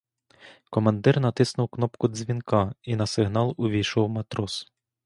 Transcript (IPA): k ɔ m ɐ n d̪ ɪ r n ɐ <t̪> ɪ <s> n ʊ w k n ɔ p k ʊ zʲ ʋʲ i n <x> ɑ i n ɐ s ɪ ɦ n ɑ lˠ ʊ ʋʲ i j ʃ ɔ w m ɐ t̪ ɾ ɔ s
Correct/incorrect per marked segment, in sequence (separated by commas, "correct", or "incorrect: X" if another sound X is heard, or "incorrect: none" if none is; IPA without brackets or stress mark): correct, correct, incorrect: k